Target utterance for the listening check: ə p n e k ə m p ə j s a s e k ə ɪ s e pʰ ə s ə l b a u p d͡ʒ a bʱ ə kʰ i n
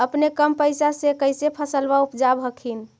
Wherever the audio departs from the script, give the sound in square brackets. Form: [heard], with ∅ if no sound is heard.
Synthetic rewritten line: ə p n e k ə m p ə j s a s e k ə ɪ s e pʰ ə s ə l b a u p d͡ʒ a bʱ ə kʰ i n